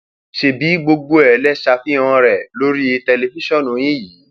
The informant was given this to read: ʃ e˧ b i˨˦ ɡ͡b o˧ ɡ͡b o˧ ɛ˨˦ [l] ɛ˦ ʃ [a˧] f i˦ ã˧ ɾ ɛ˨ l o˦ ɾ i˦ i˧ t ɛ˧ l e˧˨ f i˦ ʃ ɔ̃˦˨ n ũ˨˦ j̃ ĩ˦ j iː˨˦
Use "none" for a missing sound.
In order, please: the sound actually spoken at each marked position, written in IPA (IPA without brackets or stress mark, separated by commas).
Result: l, a˧